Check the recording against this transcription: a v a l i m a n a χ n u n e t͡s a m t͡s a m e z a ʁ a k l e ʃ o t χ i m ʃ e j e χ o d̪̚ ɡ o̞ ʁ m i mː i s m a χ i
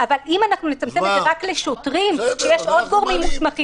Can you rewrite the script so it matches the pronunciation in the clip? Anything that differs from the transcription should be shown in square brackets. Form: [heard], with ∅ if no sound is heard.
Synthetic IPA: a v a l i m a n a χ n u n e t͡s a m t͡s [e] m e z [e] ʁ a k l e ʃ o t [ʁ] i m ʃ e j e [ʃ] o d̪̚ ɡ o̞ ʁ m i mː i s m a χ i